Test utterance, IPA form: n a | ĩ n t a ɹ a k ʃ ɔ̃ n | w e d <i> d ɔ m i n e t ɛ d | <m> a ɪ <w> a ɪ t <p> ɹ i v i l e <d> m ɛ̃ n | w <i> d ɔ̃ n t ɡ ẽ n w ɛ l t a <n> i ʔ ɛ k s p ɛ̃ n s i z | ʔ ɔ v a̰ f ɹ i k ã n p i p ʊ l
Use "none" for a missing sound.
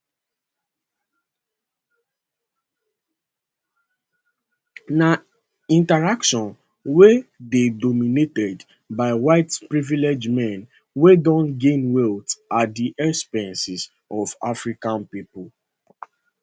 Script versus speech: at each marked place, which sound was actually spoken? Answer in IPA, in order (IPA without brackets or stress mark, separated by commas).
e, b, w, p, d͡ʒ, e, d